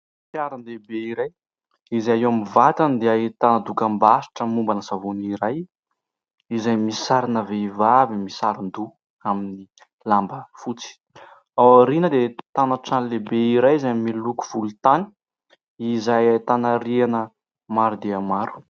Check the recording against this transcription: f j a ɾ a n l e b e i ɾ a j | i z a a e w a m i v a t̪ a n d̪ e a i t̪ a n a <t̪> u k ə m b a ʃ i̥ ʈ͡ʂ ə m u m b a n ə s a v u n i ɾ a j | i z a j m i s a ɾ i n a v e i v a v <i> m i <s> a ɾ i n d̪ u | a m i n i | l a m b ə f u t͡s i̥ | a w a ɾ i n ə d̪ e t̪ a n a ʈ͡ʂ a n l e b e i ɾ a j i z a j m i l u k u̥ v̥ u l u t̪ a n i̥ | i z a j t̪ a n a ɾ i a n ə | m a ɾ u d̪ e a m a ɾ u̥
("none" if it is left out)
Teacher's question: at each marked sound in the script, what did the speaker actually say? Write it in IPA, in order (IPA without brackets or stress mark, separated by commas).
d̪, i, s